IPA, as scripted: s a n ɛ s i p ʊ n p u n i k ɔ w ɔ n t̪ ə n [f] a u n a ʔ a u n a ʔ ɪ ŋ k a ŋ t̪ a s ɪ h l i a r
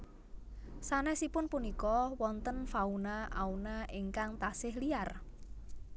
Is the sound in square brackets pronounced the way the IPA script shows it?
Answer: yes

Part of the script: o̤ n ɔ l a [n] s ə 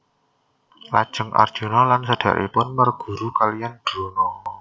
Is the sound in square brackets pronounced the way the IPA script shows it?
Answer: yes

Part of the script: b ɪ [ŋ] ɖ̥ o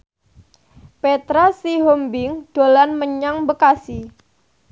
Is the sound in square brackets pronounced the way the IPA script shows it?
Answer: yes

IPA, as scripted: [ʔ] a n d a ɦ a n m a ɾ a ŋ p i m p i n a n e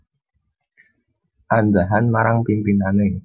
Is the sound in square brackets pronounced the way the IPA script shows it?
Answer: yes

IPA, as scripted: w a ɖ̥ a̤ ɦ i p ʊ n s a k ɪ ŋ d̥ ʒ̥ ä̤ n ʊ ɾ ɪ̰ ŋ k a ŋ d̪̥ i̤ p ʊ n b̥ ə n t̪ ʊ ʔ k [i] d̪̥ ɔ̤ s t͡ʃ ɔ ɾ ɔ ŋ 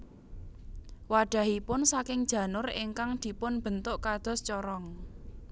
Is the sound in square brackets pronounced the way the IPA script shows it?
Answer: no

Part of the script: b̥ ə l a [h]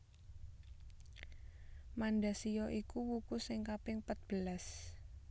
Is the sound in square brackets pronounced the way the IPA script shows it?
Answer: no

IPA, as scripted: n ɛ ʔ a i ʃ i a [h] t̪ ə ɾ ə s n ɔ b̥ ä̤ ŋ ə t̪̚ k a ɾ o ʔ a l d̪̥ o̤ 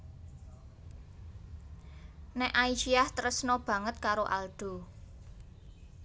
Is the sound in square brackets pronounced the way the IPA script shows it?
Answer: yes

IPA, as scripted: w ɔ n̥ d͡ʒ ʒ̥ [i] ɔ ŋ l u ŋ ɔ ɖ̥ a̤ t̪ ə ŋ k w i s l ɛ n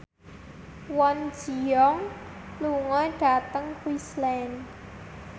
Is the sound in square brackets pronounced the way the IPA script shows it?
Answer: yes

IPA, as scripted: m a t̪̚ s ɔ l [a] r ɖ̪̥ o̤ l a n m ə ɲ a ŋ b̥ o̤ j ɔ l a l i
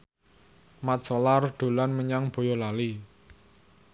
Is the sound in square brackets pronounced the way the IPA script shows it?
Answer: yes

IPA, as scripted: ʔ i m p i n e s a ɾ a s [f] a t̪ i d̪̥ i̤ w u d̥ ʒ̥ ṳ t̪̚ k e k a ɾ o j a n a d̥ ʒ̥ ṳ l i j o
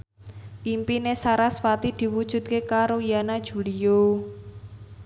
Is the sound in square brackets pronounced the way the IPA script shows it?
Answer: yes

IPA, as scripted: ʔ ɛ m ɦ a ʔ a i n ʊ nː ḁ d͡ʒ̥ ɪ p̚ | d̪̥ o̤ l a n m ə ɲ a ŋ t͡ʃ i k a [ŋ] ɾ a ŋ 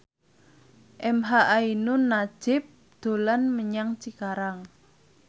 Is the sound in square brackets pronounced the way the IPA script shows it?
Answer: no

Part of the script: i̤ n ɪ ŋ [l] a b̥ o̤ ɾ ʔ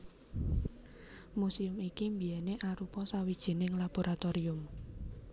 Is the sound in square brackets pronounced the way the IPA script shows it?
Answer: yes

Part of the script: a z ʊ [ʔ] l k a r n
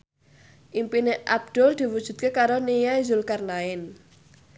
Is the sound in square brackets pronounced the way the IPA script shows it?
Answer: no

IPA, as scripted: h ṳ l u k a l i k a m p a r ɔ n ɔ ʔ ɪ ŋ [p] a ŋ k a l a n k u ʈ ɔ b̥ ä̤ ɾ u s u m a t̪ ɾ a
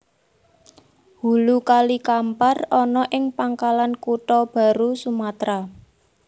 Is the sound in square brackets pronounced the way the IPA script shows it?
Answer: yes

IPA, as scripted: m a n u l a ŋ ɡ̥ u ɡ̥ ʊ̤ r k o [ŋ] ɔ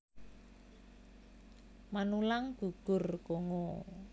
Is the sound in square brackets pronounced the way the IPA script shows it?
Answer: yes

